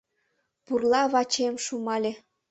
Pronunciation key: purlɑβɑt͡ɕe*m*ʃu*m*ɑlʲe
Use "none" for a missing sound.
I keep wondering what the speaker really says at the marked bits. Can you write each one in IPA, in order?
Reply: m, m

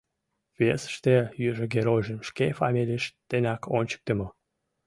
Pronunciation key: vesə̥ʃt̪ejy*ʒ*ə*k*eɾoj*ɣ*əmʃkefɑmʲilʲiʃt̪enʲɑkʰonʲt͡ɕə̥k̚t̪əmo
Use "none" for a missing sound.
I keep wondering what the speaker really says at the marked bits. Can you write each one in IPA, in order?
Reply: ʒ, ɡ, ʒ

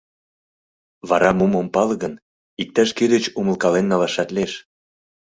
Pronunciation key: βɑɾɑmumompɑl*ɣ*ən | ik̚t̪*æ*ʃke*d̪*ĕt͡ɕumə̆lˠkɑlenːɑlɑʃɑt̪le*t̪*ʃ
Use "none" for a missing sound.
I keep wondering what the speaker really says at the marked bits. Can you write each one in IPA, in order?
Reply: ɣ, æ, d̪, none

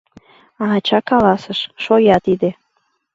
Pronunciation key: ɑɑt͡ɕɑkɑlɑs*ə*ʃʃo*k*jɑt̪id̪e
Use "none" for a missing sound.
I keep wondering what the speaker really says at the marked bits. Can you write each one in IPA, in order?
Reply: ə, none

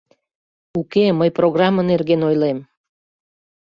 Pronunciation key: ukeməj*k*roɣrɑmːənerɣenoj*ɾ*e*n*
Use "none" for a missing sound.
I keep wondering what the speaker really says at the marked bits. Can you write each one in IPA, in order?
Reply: p, l, m

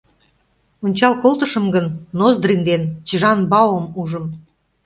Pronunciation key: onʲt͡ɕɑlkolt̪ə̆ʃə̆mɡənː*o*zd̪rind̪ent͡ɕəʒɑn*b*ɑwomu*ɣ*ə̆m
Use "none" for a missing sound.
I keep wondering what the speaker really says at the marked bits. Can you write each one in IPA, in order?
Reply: o, b, ʒ

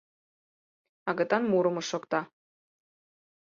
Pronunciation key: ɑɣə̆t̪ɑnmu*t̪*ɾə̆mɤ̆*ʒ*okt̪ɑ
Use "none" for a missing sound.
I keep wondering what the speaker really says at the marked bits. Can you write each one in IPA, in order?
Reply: none, ʃ

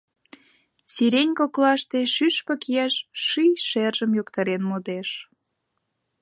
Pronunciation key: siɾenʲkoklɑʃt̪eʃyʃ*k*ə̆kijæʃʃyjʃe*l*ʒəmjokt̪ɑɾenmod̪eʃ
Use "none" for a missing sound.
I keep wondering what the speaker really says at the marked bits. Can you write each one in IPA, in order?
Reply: p, r

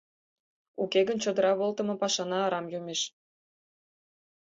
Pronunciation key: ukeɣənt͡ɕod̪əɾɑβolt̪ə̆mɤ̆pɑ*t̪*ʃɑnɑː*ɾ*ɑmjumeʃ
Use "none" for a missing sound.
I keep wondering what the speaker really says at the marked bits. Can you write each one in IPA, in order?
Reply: none, ɾ

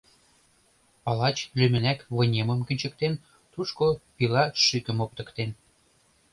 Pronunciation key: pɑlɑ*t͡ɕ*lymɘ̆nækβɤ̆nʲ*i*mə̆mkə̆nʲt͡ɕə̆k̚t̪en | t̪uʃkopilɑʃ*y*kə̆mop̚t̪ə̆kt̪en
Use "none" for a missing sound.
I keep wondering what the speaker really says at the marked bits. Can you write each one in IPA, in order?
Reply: t͡ɕ, e, y

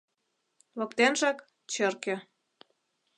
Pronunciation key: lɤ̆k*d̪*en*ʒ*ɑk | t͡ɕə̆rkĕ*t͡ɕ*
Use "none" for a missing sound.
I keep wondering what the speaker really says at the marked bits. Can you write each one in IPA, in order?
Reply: t̪, ʒ, none

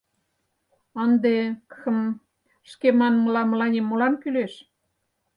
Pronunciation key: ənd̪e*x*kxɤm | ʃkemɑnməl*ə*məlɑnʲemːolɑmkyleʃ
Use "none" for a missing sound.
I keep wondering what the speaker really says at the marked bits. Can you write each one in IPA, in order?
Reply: none, ɑ

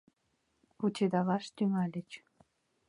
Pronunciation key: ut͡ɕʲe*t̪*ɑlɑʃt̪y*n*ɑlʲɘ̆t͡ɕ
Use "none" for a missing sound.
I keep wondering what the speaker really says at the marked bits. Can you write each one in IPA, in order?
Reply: d̪, ŋ

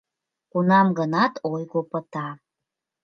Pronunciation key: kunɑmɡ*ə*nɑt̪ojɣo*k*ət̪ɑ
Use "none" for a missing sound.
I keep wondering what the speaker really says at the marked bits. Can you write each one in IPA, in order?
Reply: ə, p

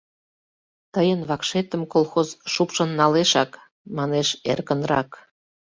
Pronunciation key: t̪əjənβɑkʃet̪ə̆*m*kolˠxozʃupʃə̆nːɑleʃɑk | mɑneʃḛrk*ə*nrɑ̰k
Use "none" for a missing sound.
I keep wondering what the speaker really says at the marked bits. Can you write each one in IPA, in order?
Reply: m, ə

